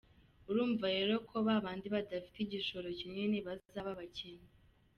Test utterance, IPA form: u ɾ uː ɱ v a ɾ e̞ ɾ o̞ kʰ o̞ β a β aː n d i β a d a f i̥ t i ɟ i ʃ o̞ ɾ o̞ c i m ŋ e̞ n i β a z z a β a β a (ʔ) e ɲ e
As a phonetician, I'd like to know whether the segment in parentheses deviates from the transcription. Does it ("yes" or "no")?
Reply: yes